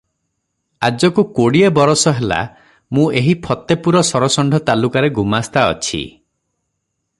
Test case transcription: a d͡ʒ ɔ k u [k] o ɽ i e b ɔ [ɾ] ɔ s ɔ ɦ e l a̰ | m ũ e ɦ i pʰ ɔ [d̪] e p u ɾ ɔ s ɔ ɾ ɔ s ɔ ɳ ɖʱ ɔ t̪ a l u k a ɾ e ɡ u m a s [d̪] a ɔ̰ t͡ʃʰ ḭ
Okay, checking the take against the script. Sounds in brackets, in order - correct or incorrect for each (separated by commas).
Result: correct, correct, incorrect, incorrect